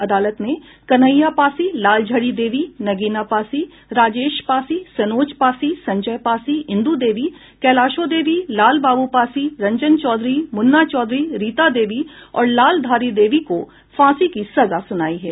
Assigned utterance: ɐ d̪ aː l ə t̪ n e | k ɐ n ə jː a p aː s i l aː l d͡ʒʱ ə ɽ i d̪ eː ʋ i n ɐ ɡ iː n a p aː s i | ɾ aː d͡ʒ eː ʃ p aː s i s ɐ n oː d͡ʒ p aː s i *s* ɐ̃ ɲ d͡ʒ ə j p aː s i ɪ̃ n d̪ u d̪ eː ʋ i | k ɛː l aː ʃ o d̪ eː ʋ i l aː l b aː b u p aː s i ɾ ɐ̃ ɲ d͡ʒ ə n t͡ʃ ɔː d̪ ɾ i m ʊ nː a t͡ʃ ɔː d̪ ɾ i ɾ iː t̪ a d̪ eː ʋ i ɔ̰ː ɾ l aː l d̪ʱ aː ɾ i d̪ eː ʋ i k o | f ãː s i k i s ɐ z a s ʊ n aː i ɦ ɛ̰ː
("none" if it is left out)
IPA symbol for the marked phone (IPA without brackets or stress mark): s